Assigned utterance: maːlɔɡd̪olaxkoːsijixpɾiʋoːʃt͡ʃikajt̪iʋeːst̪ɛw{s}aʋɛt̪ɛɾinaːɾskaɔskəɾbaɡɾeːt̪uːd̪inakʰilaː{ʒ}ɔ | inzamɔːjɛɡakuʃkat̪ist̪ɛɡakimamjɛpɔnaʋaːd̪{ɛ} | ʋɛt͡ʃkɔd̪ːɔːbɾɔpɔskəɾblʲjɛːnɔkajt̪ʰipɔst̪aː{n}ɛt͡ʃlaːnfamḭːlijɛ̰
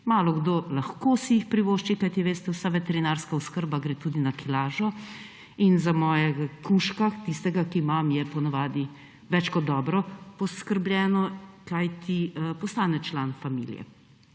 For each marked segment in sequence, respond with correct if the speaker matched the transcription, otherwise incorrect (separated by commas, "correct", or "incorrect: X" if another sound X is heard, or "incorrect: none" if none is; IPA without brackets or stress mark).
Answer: correct, correct, incorrect: i, correct